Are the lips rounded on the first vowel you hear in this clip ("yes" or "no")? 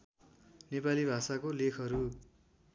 no